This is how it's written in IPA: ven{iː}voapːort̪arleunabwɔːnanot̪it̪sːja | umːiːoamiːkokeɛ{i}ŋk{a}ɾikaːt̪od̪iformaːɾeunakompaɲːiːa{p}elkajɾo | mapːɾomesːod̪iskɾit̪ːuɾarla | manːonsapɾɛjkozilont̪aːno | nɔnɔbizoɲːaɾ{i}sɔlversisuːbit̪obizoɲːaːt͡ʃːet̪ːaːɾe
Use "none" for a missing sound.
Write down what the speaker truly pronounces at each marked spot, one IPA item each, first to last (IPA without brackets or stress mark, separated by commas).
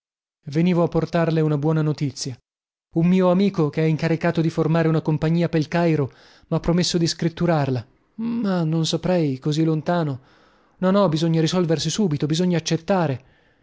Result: iː, i, a, p, i